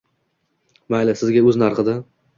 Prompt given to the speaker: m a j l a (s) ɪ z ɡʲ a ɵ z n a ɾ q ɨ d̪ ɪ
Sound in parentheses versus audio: correct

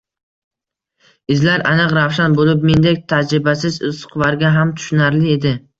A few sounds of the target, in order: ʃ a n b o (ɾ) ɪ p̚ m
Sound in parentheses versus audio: incorrect: l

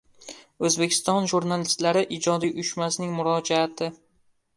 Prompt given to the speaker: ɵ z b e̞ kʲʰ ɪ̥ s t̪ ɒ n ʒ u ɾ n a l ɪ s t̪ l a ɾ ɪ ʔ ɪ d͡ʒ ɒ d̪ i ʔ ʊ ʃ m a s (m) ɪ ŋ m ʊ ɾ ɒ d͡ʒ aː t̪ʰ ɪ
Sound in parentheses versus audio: incorrect: n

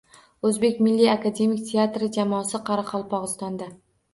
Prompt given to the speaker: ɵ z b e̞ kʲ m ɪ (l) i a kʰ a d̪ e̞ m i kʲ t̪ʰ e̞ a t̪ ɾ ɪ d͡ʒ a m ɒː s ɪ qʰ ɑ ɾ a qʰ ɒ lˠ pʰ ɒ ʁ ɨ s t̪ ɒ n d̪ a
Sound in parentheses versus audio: incorrect: lː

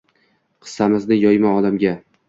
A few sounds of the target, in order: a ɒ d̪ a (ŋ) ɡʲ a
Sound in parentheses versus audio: incorrect: m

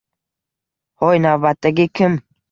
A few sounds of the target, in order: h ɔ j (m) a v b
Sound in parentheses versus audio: incorrect: n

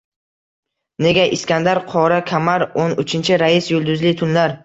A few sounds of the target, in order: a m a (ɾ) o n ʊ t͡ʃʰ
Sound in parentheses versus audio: correct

